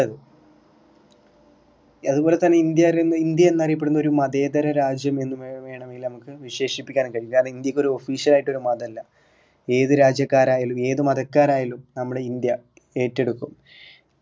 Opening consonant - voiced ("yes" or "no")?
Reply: yes